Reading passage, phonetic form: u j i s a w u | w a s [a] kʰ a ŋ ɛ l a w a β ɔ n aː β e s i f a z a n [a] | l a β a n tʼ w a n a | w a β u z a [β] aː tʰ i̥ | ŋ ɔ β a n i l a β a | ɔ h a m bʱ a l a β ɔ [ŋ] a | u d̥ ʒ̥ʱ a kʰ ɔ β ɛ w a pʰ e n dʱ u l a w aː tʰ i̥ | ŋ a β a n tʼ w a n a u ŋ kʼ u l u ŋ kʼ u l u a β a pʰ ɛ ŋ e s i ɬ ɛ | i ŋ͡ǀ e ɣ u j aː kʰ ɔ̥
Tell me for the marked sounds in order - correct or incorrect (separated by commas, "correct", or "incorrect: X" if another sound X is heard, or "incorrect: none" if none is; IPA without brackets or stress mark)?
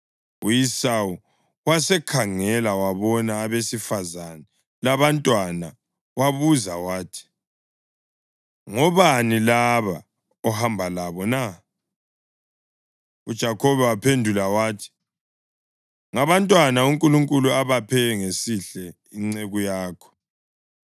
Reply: incorrect: ɛ, incorrect: ɛ, incorrect: w, incorrect: n